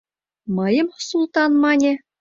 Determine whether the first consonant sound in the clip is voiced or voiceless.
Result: voiced